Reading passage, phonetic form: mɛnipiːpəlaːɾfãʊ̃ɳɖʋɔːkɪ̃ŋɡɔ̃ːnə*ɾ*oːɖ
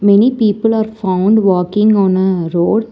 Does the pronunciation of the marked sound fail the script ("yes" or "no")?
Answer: no